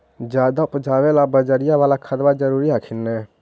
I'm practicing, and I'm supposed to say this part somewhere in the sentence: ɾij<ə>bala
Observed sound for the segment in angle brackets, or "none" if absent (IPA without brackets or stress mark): a